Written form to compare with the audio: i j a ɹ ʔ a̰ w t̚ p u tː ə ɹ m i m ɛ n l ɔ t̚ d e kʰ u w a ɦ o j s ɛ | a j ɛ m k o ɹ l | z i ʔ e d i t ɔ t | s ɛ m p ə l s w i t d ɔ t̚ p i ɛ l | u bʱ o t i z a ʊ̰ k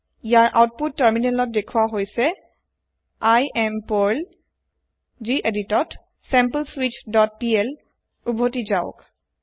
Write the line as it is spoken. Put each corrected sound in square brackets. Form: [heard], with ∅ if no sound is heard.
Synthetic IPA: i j a ɹ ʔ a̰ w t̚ p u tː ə ɹ m i [n] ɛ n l ɔ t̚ d e kʰ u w a ɦ o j s ɛ | a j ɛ m [p] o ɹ l | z i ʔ e d i t ɔ t | s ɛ m p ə l s w i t d ɔ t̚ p i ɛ l | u bʱ o t i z a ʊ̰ k

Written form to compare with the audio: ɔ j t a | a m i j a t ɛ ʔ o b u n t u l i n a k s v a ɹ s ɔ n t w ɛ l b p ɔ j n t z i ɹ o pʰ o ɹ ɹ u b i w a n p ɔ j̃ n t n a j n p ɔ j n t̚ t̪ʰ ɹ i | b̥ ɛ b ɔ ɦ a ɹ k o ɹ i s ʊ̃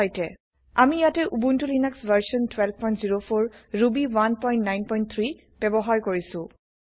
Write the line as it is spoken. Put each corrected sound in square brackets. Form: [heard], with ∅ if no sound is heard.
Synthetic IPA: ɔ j t [ɛ] | a m i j a t ɛ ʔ [u] b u n t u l i n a k s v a ɹ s ɔ n t w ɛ l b p ɔ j n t z i ɹ o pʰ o ɹ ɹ u b i w a n p ɔ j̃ n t n a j n p ɔ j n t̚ t̪ʰ ɹ i | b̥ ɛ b ɔ ɦ a ɹ k o ɹ i s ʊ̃

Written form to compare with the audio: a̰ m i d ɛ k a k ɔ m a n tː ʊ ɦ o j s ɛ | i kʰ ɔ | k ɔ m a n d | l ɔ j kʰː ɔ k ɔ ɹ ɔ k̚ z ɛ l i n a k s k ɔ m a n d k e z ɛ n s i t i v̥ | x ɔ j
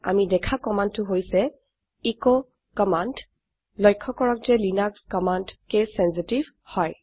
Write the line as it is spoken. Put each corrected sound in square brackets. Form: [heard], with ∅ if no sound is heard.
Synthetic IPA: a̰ m i d ɛ [kʰ] a k ɔ m a n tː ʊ ɦ o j s ɛ | i [k] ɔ | k ɔ m a n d | l ɔ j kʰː ɔ k ɔ ɹ ɔ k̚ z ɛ l i n a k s k ɔ m a n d k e [s] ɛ n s i t i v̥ | [h] ɔ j

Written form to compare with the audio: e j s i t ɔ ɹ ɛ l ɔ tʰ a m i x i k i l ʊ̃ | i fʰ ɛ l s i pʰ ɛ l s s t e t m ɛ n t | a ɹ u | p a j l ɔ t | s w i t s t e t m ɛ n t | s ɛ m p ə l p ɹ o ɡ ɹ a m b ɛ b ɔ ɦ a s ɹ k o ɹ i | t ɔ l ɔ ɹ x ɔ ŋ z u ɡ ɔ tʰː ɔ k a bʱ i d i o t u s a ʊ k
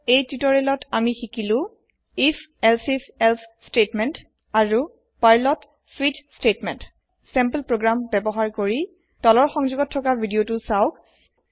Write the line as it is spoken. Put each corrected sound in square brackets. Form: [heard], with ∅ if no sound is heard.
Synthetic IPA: e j [t] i t ɔ ɹ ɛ l ɔ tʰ a m i x i k i l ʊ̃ | i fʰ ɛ l s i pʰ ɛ l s s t e t m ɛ n t | a ɹ u | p a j l ɔ t | s w i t s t e t m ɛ n t | s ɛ m p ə l p ɹ o ɡ ɹ a m b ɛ b ɔ ɦ a [∅] ɹ k o ɹ i | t ɔ l ɔ ɹ x ɔ ŋ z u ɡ ɔ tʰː ɔ k a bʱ i d i o t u s a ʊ k

